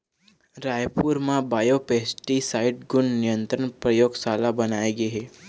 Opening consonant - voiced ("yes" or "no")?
yes